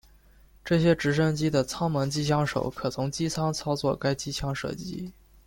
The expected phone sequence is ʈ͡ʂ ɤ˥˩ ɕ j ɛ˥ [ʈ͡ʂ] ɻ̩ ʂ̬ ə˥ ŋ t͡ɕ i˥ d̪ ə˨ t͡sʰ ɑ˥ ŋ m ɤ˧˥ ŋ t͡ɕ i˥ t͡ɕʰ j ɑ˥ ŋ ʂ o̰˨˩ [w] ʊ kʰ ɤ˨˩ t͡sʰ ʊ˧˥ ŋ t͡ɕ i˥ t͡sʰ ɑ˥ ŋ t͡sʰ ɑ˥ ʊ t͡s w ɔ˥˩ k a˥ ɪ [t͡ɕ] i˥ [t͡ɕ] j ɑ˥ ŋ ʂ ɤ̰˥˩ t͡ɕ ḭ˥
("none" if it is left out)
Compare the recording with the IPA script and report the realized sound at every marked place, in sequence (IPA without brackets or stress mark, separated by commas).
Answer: ʈ͡ʂ, none, t͡ɕ, t͡ɕʰ